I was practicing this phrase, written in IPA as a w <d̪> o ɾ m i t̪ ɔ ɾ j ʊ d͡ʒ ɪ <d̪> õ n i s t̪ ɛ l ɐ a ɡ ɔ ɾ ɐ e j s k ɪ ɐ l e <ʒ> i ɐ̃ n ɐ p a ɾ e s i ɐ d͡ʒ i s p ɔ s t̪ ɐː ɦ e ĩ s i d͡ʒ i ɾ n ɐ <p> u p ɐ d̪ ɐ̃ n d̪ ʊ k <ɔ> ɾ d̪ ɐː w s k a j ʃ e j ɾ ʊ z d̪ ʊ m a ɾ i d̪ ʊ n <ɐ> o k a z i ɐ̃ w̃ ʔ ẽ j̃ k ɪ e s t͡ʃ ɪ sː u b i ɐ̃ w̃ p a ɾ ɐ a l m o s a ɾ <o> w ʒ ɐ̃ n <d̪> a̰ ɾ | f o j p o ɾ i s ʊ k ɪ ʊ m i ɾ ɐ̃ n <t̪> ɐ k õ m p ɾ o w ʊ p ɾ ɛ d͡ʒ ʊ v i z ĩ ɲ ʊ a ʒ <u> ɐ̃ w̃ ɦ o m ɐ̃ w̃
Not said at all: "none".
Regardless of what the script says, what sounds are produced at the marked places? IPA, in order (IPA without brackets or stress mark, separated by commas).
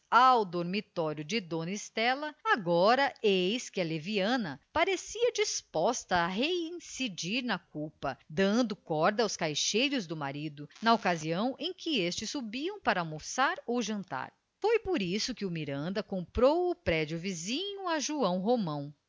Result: d̪, d̪, v, k, ɔ, ɐ, o, t̪, d̪, u